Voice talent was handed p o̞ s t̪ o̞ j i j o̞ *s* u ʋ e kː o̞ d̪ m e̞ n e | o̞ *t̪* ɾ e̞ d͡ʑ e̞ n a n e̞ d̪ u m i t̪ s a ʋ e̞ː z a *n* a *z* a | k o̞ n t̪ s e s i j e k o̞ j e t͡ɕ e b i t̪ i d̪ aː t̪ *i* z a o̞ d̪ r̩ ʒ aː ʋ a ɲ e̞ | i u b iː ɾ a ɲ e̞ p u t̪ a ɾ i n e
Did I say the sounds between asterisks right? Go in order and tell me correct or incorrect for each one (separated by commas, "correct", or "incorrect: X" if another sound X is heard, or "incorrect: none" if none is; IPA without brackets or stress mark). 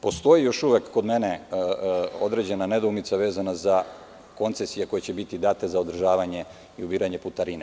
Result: incorrect: ʃ, incorrect: d̪, correct, correct, incorrect: e